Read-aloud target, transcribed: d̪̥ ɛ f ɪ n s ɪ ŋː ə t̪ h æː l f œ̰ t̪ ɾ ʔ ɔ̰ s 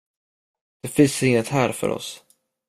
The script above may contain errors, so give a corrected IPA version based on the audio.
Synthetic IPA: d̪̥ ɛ f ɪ n s ɪ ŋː ə t̪ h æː ɾ f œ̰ ɾ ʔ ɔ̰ s